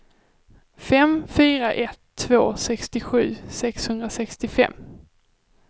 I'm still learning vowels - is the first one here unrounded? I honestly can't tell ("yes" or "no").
yes